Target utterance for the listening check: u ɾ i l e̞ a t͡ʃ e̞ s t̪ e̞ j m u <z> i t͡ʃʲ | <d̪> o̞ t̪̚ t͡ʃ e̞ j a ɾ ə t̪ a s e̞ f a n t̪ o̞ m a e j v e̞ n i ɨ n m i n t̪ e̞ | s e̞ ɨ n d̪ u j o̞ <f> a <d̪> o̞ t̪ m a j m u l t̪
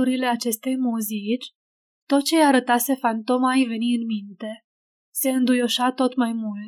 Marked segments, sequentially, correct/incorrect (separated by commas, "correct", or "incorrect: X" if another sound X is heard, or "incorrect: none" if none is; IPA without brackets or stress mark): correct, incorrect: t̪, incorrect: ʃ, incorrect: t̪